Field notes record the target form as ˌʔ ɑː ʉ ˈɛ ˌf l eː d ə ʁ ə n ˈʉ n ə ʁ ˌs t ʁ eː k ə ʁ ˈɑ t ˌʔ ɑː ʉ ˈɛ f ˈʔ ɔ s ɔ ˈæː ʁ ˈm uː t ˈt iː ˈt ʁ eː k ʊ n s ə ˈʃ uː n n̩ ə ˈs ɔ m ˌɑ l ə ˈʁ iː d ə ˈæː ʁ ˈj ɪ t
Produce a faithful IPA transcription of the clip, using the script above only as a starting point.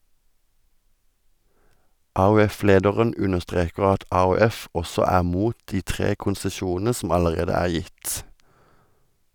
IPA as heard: ˌʔ ɑː ʉ ˈɛ ˌf l eː d ə ʁ ə n ˈʉ n ə ʁ ˌs t ʁ eː k ə ʁ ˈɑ t ˌʔ ɑː ʉ ˈɛ f ˈʔ ɔ s ɔ ˈæː ʁ ˈm uː t ˈt iː ˈt ʁ eː k ʊ n s ə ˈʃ uː n n̩ ə ˈs ɔ m ˌɑ l ə ˈʁ eː d ə ˈæː ʁ ˈj ɪ t